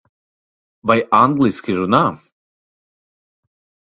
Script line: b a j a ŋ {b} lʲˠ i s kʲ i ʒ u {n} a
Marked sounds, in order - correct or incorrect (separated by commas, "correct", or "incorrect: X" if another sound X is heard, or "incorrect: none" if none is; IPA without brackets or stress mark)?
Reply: incorrect: ɡ, correct